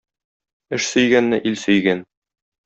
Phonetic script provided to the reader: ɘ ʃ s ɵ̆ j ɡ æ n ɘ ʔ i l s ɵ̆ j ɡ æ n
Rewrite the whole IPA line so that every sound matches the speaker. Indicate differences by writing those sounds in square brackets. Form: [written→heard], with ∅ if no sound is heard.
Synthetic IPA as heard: ɘ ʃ s ɵ̆ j ɡ æ [n→nː] ɘ ʔ i l s ɵ̆ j ɡ æ n